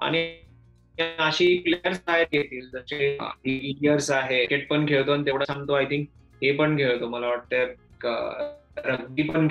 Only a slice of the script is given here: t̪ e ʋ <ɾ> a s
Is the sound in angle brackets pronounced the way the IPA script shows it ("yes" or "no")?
no